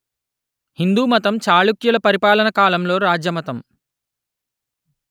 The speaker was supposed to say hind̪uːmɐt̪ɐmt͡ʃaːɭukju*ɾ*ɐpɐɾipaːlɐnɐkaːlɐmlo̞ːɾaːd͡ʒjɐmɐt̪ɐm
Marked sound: incorrect: l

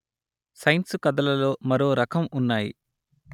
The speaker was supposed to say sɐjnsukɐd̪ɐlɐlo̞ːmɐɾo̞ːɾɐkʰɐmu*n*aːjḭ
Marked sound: incorrect: nː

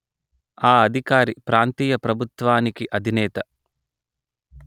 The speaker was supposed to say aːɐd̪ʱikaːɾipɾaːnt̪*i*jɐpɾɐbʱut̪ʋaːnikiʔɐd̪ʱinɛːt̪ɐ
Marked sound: incorrect: iː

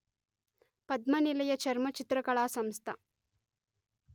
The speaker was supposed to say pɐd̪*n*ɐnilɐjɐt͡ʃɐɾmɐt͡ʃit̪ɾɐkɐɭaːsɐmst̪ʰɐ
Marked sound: incorrect: m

